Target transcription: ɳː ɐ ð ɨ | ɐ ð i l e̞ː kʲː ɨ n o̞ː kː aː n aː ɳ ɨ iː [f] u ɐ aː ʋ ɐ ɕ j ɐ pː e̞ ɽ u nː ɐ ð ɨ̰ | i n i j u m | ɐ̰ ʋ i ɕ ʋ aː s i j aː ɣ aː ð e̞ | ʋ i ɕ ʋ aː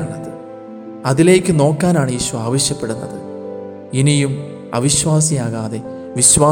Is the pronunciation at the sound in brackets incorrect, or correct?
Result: incorrect